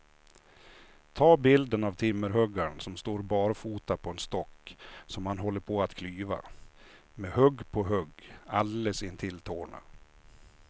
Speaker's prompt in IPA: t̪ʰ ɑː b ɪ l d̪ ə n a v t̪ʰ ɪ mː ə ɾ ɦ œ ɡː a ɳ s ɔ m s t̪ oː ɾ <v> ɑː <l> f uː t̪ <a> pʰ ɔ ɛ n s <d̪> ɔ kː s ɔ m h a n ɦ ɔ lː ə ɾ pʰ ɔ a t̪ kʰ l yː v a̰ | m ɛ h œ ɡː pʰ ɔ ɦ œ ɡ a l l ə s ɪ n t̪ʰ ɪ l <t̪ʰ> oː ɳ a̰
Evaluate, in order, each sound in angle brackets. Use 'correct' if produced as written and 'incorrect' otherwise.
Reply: incorrect, incorrect, correct, incorrect, correct

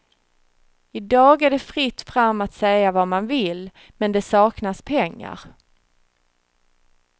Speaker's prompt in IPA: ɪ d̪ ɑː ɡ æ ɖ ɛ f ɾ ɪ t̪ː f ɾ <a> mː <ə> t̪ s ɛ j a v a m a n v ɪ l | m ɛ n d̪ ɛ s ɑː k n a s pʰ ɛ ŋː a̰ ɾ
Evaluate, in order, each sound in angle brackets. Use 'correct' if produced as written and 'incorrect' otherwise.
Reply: correct, incorrect

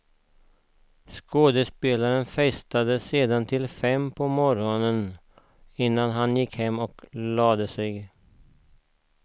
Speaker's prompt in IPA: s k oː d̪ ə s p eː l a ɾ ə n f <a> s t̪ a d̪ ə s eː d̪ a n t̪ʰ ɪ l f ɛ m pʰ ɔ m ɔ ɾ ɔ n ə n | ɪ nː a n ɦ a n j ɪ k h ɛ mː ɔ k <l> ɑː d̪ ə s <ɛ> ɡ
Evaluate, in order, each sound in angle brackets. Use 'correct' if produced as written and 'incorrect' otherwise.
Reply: incorrect, correct, correct

